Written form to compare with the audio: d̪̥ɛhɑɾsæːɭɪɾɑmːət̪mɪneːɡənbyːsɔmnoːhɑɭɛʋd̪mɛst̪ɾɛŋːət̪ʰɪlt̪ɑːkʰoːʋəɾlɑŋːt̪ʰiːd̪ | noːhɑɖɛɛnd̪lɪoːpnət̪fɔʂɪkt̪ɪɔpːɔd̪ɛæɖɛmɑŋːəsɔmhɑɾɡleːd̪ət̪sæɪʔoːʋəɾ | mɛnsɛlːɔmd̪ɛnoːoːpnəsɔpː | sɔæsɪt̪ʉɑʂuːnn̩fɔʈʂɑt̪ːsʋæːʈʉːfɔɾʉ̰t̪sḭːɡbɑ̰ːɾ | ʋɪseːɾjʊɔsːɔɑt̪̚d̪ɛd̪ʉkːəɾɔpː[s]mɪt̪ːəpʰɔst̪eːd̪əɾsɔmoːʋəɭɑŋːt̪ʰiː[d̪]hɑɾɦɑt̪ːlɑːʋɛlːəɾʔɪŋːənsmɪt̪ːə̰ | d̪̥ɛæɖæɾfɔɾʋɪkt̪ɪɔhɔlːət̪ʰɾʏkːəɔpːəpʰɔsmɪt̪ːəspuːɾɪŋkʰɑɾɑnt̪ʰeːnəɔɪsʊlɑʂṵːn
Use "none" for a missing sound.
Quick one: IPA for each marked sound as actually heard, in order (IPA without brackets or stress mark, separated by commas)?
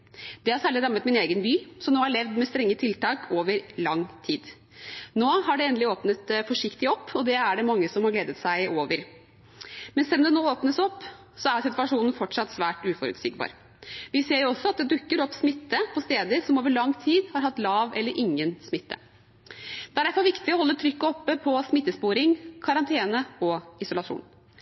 s, d̪